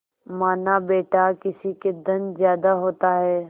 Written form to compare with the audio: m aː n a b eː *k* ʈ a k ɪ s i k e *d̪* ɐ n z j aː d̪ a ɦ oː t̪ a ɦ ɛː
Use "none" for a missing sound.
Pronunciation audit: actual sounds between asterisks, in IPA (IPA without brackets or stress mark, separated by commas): none, d̪